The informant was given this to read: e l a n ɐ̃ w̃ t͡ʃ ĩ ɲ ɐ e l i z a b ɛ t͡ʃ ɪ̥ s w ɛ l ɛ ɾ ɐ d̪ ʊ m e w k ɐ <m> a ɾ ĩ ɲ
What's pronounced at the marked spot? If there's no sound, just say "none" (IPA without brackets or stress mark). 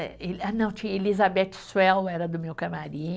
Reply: m